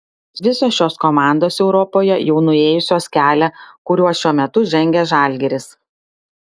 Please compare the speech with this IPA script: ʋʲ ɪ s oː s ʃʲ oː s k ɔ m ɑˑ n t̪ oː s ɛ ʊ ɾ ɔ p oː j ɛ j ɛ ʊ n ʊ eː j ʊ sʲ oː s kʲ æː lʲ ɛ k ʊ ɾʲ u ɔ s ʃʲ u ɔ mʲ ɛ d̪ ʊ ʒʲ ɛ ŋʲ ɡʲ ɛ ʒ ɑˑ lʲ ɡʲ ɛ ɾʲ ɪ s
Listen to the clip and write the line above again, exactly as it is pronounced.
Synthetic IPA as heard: ʋʲ ɪ s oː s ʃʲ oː s k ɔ m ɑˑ n d̪ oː s ɛ ʊ ɾ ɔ p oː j ɛ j ɛ ʊ n ʊ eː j ʊ sʲ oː s kʲ æː lʲ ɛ k ʊ ɾʲ u ɔ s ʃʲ u ɔ mʲ ɛ t̪ ʊ ʒʲ ɛ ŋʲ ɡʲ ɛ ʒ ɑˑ lʲ ɡʲ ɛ ɾʲ ɪ s